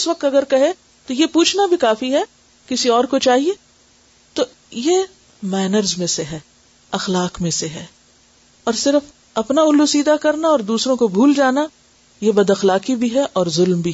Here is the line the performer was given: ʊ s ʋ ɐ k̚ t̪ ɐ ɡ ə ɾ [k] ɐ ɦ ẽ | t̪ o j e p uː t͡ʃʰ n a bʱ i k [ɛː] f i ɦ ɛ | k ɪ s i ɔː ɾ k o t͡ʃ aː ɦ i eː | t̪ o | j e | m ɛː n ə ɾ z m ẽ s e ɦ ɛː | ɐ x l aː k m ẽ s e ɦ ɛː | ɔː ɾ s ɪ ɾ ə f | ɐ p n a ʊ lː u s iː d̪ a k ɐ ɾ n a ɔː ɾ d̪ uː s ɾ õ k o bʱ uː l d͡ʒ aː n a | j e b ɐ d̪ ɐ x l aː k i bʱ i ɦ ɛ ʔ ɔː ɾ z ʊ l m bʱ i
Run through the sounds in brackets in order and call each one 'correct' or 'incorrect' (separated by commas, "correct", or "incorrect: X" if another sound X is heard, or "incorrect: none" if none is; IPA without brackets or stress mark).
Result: correct, incorrect: aː